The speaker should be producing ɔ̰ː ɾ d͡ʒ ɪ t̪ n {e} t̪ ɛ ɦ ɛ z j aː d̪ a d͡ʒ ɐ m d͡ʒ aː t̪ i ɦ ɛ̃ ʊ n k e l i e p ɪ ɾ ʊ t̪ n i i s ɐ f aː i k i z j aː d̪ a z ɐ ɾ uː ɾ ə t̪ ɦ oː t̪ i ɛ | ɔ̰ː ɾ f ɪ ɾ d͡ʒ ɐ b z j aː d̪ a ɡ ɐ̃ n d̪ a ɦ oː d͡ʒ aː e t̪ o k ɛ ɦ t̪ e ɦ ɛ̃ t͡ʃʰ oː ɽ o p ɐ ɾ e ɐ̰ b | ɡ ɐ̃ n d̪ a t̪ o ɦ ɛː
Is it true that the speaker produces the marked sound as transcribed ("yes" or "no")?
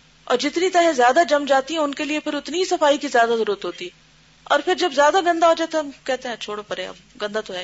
no